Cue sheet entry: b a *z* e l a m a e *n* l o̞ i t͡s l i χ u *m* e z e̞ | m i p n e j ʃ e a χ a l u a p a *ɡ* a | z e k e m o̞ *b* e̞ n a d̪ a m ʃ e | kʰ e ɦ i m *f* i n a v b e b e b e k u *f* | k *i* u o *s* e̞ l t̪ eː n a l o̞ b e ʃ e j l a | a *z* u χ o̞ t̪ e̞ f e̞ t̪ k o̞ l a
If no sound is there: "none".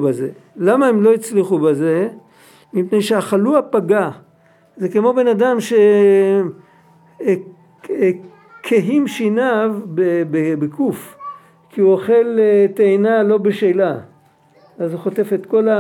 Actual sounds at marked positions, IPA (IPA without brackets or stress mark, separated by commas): z, m, b, ɡ, b, ʃ, f, i, χ, z